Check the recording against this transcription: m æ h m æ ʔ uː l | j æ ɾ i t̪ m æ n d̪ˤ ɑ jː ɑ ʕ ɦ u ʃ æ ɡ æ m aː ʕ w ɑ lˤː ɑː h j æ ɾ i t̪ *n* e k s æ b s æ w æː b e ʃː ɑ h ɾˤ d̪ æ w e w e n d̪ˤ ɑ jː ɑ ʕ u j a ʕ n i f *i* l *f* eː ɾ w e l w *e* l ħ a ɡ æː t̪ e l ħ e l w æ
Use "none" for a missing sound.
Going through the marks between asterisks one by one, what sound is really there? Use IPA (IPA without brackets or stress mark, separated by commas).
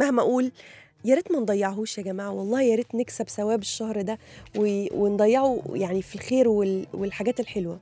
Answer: n, i, x, e